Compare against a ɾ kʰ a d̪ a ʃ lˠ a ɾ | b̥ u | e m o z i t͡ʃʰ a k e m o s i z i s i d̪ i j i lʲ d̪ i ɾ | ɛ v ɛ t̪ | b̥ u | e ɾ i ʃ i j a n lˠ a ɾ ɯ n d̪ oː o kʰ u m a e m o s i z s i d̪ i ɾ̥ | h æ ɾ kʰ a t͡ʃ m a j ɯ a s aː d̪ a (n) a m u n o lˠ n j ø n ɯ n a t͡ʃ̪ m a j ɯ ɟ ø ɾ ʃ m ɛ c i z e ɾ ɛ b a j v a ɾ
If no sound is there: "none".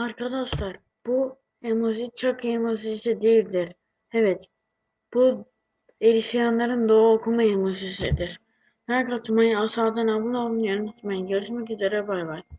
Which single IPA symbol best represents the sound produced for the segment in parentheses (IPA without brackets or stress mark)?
n